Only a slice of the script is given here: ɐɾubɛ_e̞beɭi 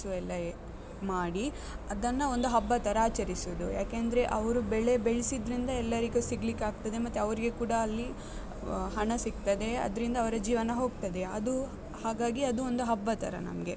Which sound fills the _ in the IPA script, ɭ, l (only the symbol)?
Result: ɭ